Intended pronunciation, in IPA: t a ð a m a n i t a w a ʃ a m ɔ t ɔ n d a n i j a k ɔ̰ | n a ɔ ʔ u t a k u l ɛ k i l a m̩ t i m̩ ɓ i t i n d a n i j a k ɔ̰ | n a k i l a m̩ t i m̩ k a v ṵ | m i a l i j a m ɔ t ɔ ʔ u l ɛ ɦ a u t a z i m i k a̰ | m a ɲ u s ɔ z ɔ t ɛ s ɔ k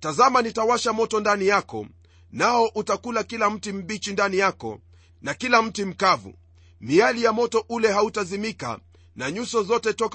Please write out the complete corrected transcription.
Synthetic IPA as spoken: t a z a m a n i t a w a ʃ a m ɔ t ɔ n d a n i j a k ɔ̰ | n a ɔ ʔ u t a k u l a k i l a m̩ t i m̩ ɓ i t͡ʃ i n d a n i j a k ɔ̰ | n a k i l a m̩ t i m̩ k a v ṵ | m i a l i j a m ɔ t ɔ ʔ u l ɛ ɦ a u t a z i m i k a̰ | n a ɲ u s ɔ z ɔ t ɛ t ɔ k